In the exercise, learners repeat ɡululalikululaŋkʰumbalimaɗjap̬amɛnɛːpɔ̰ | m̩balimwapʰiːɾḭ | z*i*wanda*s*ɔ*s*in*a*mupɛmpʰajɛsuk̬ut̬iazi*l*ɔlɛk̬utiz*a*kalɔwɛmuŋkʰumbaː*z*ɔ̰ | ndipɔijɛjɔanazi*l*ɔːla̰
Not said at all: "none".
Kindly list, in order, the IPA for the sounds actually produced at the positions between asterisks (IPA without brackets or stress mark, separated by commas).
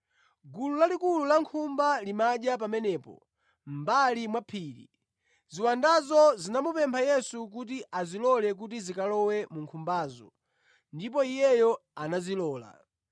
i, z, z, a, l, i, z, l